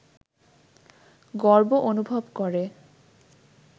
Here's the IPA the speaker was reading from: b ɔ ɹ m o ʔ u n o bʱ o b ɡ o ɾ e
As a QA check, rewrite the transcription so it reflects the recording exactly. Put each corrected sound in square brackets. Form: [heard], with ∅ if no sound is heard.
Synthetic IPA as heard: [ɡ] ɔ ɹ [b] o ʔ [o] n [u] bʱ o b [k] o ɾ e